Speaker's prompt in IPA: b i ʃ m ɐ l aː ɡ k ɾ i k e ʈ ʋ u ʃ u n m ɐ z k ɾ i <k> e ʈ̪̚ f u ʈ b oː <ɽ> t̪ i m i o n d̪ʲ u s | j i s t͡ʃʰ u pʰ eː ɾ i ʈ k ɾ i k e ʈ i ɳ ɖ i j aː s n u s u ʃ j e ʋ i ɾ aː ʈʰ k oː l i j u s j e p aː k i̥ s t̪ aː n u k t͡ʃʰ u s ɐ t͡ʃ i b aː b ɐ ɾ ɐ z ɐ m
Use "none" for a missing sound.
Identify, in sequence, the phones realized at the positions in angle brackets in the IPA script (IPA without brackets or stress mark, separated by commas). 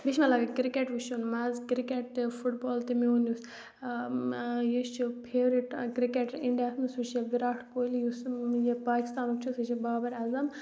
k, l